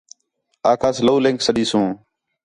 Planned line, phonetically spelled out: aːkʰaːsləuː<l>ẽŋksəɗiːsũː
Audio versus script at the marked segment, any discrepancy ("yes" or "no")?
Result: no